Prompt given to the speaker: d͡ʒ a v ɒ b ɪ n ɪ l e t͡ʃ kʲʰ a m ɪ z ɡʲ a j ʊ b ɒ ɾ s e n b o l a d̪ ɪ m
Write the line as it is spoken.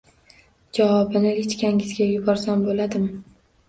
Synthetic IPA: d͡ʒ a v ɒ b ɪ n ɪ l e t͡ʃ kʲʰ a ŋ ɪ z ɡʲ a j ʊ b ɒ ɾ s a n b o l a d̪ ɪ m